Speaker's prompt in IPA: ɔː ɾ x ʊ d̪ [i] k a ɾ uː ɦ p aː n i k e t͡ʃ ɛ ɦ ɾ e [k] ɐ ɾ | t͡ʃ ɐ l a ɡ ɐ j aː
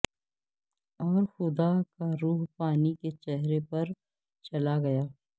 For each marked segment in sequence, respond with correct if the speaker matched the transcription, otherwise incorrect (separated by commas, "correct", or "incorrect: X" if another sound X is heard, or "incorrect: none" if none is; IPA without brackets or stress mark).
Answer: incorrect: a, incorrect: p